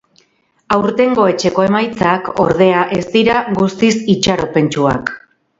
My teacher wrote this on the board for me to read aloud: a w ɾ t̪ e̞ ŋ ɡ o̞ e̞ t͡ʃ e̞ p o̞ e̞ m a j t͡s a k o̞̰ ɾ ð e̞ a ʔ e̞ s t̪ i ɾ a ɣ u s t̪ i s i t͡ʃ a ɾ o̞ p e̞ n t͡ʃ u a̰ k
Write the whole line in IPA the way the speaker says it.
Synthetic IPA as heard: a w ɾ t̪ e̞ ŋ ɡ o̞ e̞ t͡ʃ e̞ k o̞ e̞ m a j t͡s a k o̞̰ ɾ ð e̞ a ʔ e̞ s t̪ i ɾ a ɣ u s t̪ i s i t͡ʃ a ɾ o̞ p e̞ n t͡ʃ u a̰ k